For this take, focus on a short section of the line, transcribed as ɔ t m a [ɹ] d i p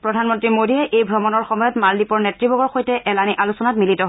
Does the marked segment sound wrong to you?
yes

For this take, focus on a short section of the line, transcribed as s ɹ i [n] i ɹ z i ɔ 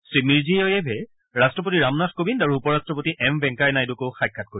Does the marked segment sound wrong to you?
yes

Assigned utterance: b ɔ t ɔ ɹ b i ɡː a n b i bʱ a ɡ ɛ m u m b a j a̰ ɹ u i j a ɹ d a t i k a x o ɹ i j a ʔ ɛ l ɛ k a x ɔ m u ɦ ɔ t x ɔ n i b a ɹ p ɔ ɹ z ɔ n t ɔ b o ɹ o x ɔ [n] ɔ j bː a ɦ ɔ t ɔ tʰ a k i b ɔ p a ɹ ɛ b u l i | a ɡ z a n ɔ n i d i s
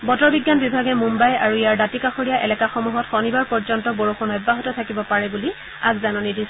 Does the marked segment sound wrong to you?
no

